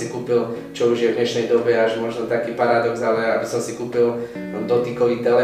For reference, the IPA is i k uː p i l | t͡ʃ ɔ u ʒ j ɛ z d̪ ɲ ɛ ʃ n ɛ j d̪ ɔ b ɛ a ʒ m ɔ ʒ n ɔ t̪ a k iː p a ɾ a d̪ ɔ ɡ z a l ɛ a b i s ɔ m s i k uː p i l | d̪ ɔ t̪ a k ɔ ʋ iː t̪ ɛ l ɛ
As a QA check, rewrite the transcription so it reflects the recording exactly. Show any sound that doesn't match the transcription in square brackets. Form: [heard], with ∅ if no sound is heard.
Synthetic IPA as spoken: i k uː p i l | t͡ʃ ɔ u ʒ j ɛ [v] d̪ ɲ ɛ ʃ n ɛ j d̪ ɔ b ɛ a ʒ m ɔ ʒ n ɔ t̪ a k iː p a ɾ a d̪ ɔ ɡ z a l ɛ a b i s ɔ m s i k uː p i l | d̪ ɔ t̪ [i] k ɔ ʋ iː t̪ ɛ l ɛ